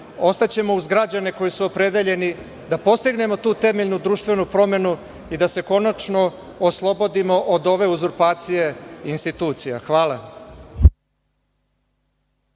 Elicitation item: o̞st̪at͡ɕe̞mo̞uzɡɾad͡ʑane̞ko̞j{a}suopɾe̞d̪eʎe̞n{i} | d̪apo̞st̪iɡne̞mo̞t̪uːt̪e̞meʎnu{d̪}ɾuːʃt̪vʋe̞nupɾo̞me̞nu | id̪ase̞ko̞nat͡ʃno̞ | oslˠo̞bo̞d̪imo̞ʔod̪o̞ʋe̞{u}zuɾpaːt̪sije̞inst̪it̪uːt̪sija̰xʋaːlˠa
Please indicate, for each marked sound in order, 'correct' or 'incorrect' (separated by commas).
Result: incorrect, correct, correct, correct